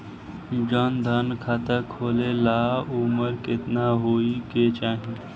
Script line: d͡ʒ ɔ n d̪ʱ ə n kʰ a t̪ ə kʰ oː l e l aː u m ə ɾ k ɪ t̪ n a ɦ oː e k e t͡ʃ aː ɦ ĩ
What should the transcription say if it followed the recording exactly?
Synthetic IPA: d͡ʒ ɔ n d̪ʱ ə n kʰ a t̪ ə kʰ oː l e l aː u m ə ɾ k ɪ t̪ n a ɦ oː i k e t͡ʃ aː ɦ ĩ